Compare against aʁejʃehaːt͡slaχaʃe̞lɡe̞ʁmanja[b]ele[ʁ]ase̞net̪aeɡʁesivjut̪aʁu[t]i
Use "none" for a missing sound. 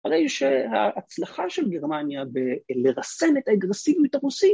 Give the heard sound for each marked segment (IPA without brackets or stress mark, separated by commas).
b, ʁ, s